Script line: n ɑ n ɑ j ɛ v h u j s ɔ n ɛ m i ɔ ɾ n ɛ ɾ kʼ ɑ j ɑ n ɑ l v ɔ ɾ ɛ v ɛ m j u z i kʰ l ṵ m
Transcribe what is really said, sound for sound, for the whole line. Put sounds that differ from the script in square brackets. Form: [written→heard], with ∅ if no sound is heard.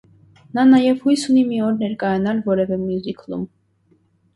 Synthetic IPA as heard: n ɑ n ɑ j ɛ v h u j s [ɔ→u] n [ɛ→i] m i ɔ ɾ n ɛ ɾ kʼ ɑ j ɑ n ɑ l v ɔ ɾ ɛ v ɛ m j u z i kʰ l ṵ m